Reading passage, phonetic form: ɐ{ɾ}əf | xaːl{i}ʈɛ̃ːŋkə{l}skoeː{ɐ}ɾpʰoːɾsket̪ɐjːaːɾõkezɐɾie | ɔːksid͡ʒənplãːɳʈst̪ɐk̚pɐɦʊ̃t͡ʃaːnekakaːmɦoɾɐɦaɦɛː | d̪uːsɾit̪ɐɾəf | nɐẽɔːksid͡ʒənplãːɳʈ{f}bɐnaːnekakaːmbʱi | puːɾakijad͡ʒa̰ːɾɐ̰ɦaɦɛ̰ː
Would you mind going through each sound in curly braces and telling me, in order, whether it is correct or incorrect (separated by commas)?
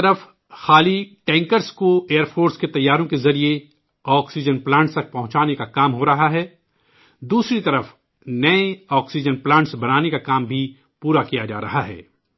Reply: correct, correct, incorrect, incorrect, incorrect